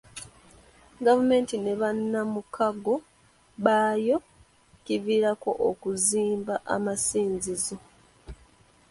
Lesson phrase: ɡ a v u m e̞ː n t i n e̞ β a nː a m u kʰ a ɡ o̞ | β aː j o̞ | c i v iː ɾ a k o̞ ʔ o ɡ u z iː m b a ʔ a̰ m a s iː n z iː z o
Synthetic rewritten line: ɡ a v u m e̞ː n t i n e̞ β a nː a m u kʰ a ɡ o̞ | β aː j o̞ | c i v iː ɾ a k o̞ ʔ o k u z iː m b a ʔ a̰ m a s iː n z i z o